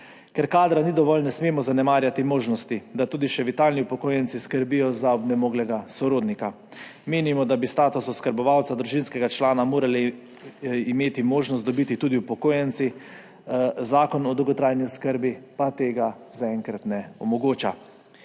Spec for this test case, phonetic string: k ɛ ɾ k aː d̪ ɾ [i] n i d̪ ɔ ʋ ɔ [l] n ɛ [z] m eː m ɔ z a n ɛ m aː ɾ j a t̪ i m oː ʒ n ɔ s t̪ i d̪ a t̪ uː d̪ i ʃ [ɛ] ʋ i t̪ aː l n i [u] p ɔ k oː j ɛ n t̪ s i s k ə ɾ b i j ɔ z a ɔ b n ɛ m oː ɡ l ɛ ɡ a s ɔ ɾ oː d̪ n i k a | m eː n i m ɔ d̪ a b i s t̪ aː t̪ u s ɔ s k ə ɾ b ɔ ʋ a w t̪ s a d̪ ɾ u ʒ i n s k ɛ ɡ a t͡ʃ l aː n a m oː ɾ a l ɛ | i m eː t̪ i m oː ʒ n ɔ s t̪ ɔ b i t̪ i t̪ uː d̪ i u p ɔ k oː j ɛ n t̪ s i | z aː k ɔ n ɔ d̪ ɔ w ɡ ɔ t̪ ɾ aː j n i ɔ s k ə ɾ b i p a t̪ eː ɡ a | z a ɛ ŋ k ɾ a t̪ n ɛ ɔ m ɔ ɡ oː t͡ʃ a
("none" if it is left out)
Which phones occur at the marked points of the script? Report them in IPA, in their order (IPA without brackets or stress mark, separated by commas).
a, l, s, ɛ, u